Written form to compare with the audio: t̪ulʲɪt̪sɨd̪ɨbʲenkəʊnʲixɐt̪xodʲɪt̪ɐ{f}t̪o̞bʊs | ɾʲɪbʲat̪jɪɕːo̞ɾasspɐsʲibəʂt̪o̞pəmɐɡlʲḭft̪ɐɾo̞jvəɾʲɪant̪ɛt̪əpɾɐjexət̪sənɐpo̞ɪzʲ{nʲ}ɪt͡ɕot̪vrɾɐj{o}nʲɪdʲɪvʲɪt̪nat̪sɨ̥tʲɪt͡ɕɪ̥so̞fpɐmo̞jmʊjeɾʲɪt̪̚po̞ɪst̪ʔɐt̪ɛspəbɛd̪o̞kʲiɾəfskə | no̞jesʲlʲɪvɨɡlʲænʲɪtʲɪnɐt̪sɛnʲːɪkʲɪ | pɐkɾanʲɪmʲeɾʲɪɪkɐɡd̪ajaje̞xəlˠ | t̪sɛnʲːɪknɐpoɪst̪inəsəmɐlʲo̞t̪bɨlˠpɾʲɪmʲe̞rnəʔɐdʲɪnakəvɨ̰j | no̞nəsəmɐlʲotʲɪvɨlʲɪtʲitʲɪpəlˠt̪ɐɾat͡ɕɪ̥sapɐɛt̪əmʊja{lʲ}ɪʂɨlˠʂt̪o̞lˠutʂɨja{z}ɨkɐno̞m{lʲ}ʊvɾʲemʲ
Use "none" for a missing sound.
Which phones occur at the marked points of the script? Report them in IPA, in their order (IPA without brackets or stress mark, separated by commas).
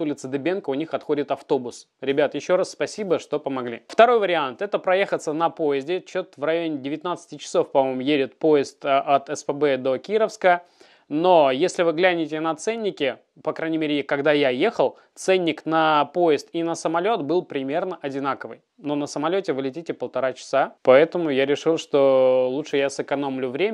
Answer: f, dʲ, o, ɾʲ, s, lʲ